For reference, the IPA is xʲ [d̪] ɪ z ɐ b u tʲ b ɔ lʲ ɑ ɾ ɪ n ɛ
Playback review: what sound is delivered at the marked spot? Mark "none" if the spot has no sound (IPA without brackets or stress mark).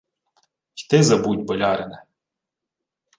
t̪